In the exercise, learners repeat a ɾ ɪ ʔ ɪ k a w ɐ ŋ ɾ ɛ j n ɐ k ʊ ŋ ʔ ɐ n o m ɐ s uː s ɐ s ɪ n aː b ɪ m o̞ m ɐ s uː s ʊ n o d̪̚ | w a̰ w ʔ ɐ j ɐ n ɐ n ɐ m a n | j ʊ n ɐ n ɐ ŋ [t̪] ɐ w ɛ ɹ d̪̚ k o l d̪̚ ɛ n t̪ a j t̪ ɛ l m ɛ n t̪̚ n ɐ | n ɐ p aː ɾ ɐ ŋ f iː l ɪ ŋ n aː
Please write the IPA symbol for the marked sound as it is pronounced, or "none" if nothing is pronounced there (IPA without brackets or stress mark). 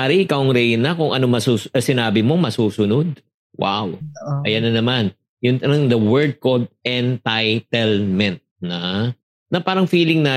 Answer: d̪